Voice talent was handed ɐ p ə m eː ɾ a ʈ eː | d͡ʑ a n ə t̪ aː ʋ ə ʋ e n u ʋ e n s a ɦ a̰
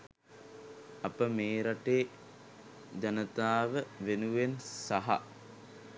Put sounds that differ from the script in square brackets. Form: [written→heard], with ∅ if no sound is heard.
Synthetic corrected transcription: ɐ p ə m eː ɾ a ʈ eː | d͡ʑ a n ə t̪ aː ʋ ə ʋ e n u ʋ e n s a ɦ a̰